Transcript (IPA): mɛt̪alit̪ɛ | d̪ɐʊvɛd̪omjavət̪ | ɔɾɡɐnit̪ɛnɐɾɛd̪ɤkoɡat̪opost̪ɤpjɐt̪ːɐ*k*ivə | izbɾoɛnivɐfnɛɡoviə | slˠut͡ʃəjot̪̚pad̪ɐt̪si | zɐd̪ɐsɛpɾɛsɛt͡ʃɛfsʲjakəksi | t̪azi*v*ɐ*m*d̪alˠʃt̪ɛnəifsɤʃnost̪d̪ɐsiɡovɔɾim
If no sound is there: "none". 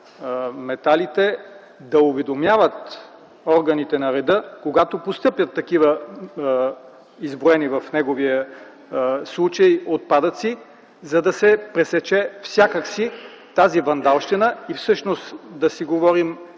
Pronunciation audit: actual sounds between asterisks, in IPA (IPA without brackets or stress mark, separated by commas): k, v, n